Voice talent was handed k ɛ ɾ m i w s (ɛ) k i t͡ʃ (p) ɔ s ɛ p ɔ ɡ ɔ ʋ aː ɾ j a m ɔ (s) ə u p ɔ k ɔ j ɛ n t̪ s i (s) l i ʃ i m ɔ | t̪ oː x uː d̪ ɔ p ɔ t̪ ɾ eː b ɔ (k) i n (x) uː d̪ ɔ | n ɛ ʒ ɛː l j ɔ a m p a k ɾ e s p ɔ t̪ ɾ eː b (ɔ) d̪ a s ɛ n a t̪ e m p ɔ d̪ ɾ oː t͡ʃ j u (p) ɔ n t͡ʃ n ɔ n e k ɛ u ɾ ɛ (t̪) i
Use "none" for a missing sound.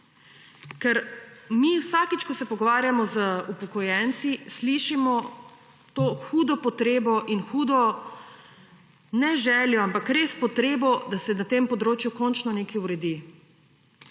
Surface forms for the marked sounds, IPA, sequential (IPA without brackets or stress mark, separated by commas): a, k, z, s, ʔ, x, ɔ, k, d̪